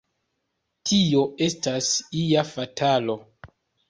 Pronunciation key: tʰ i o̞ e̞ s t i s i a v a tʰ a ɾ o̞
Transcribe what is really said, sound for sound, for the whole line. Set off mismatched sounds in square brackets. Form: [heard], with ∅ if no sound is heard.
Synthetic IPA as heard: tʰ i o̞ e̞ s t [a] s i a [f] a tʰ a [l] o̞